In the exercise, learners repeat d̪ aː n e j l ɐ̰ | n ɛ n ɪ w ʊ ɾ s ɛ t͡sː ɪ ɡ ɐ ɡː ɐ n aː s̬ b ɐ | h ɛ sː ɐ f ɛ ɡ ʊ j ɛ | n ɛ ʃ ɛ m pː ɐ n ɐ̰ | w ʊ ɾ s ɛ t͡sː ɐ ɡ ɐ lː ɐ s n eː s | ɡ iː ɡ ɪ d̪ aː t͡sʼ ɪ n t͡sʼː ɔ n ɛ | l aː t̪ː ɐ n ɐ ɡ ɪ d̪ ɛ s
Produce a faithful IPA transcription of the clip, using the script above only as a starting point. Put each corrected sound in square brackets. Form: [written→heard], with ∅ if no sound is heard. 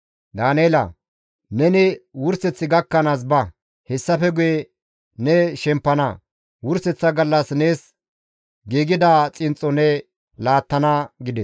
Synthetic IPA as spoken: d̪ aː n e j l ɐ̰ | n ɛ n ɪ w ʊ ɾ s ɛ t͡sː ɪ ɡ ɐ [ɡː→kː] ɐ n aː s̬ b ɐ | h ɛ sː ɐ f ɛ ɡ ʊ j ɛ | n ɛ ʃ ɛ m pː ɐ n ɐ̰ | w ʊ ɾ s ɛ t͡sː ɐ ɡ ɐ lː ɐ s n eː s | ɡ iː ɡ ɪ d̪ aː t͡sʼ ɪ n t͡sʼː ɔ n ɛ | l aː t̪ː ɐ n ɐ ɡ ɪ d̪ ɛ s

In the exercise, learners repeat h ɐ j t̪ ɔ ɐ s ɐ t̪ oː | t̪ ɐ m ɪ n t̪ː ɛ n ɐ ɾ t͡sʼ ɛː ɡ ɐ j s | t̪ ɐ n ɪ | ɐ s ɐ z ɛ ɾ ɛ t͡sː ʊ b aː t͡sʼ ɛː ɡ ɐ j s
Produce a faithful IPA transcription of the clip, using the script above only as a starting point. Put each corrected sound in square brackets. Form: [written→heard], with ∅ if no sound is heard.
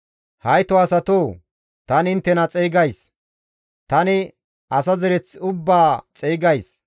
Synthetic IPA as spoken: h ɐ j t̪ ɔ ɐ s ɐ t̪ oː | t̪ ɐ [m→n] ɪ n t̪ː ɛ n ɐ [ɾ→∅] t͡sʼ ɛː ɡ ɐ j s | t̪ ɐ n ɪ | ɐ s ɐ z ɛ ɾ ɛ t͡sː ʊ [b→bː] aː t͡sʼ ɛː ɡ ɐ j s

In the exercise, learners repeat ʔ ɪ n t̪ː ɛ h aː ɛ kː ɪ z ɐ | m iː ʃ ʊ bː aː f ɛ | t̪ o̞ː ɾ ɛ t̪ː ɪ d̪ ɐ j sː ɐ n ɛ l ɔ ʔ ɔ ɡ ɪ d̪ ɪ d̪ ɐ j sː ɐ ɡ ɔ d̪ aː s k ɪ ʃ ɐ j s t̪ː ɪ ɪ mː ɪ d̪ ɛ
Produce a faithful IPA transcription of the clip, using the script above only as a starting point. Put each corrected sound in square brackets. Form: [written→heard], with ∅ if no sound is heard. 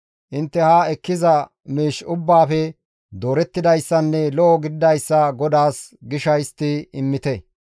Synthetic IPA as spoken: ʔ ɪ n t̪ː ɛ h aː ɛ kː ɪ z ɐ | m iː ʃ ʊ bː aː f ɛ | [t̪→d̪] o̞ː ɾ ɛ t̪ː ɪ d̪ ɐ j sː ɐ [n→nː] ɛ l ɔ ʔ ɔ ɡ ɪ d̪ ɪ d̪ ɐ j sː ɐ ɡ ɔ d̪ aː s [k→ɡ] ɪ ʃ ɐ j s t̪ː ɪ ɪ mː ɪ [d̪→t̪] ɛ

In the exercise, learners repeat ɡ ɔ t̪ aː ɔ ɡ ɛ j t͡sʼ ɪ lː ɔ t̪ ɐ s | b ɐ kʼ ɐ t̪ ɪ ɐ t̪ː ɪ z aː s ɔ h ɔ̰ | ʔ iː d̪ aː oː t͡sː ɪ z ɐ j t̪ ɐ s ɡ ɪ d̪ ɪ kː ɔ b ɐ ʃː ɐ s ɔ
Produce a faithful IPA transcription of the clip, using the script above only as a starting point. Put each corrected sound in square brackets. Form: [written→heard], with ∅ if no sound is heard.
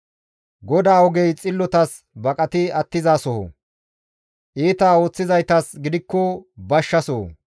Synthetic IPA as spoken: ɡ ɔ [t̪→d̪] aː ɔ ɡ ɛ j t͡sʼ ɪ lː ɔ t̪ ɐ s | b ɐ kʼ ɐ t̪ ɪ ɐ t̪ː ɪ z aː s ɔ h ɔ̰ | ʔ iː [d̪→t̪] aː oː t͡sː ɪ z ɐ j t̪ ɐ s ɡ ɪ d̪ ɪ kː ɔ b ɐ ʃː ɐ s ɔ

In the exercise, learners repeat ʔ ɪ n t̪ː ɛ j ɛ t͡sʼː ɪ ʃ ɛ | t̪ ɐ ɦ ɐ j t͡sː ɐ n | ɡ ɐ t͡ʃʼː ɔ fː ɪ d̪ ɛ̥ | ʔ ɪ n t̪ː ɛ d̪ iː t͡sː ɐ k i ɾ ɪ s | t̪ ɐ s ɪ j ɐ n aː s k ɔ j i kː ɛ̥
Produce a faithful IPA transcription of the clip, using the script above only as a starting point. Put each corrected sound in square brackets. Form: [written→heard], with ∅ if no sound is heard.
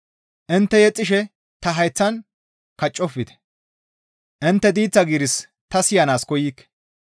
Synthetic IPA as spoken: ʔ ɪ n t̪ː ɛ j ɛ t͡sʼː ɪ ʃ ɛ | t̪ ɐ ɦ ɐ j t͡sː ɐ n | [ɡ→k] ɐ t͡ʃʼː ɔ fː ɪ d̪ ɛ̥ | ʔ ɪ n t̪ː ɛ d̪ iː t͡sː ɐ [k→ɡ] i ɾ ɪ s | t̪ ɐ s ɪ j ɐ n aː s k ɔ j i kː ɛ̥

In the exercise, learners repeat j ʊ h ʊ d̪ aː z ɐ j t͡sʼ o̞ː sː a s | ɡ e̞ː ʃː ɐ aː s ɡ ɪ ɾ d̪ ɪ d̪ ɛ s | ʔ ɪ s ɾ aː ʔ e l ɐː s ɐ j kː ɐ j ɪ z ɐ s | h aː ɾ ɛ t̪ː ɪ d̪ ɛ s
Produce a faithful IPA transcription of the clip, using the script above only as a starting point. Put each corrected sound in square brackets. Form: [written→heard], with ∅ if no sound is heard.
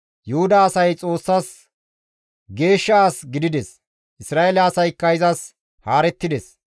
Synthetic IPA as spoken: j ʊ h ʊ d̪ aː [z→s] ɐ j t͡sʼ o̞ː sː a s | ɡ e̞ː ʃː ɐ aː s ɡ ɪ [ɾ→∅] d̪ ɪ d̪ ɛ s | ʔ ɪ s ɾ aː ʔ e l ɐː s ɐ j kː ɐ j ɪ z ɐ s | h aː ɾ ɛ t̪ː ɪ d̪ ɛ s

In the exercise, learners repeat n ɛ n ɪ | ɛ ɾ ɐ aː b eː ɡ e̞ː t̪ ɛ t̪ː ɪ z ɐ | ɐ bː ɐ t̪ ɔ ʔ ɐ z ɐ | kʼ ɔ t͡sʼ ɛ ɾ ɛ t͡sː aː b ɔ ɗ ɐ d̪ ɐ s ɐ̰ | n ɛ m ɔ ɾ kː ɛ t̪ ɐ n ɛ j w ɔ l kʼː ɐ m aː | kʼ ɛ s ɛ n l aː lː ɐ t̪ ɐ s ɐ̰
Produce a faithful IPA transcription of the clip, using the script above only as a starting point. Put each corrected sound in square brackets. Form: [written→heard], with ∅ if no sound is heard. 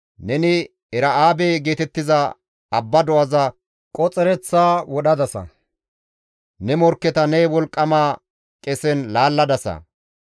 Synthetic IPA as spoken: n ɛ n ɪ | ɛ ɾ ɐ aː b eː ɡ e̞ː t̪ ɛ t̪ː ɪ z ɐ | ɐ bː ɐ [t̪→d̪] ɔ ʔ ɐ z ɐ | kʼ ɔ t͡sʼ ɛ ɾ ɛ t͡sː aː [b→w] ɔ ɗ ɐ d̪ ɐ s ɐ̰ | n ɛ m ɔ ɾ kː ɛ t̪ ɐ n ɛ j w ɔ l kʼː ɐ m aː | kʼ ɛ s ɛ n l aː lː ɐ [t̪→d̪] ɐ s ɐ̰

